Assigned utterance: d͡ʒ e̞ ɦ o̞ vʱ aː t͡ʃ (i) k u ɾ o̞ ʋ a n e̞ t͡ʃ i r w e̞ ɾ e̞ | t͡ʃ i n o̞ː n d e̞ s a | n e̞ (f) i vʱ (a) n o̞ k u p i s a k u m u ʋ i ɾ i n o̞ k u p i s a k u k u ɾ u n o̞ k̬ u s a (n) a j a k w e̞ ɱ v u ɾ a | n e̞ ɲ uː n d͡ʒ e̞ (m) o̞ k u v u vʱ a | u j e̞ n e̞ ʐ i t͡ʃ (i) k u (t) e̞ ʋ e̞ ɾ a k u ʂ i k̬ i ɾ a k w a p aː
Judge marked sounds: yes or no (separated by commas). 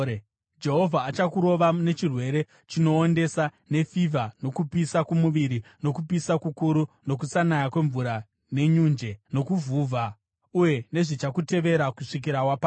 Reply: no, yes, yes, yes, no, no, yes